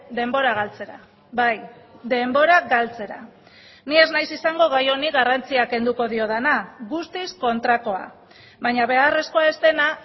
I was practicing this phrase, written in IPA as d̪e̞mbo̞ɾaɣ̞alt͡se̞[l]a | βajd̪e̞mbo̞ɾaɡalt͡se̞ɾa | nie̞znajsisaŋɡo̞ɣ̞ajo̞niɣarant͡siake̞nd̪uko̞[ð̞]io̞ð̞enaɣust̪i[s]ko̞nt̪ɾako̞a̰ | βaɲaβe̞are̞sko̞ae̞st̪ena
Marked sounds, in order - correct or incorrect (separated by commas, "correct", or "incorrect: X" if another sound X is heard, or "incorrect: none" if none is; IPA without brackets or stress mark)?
incorrect: ɾ, correct, correct